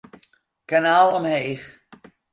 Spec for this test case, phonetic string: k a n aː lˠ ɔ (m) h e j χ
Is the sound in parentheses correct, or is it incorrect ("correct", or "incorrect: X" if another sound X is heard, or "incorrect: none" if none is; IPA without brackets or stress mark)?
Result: correct